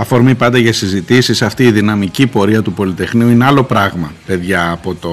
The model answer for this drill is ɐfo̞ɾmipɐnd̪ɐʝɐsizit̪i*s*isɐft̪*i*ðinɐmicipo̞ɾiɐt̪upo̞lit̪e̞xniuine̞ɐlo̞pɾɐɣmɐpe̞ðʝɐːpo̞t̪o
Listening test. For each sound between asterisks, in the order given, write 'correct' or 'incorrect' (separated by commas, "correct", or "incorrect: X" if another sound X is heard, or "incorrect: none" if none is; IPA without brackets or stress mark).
correct, incorrect: iː